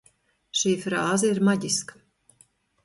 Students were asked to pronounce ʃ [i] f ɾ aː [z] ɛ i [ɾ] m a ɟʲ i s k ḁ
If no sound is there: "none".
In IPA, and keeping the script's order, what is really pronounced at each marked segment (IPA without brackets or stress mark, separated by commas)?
iː, z, ɾ